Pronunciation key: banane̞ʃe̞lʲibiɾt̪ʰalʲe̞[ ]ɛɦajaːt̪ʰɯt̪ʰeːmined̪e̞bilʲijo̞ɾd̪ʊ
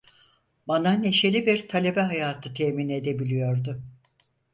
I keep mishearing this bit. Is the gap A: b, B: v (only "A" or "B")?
A